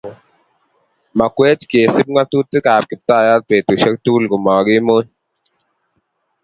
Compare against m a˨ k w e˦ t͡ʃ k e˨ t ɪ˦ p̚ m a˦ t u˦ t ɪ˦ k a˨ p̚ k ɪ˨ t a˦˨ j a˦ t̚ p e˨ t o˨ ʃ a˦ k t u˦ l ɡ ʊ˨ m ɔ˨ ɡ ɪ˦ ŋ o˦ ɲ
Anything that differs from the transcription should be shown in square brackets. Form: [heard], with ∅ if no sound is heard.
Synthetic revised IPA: m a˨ k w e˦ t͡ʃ k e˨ [s] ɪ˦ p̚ [ŋ] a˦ t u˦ t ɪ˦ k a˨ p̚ k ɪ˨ t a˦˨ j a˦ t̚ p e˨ t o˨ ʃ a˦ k t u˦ l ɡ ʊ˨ m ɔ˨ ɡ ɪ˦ [m] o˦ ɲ